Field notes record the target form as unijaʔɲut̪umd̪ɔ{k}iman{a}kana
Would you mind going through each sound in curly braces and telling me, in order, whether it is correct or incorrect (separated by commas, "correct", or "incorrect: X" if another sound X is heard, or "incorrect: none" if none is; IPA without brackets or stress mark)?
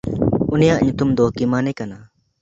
correct, incorrect: ɛ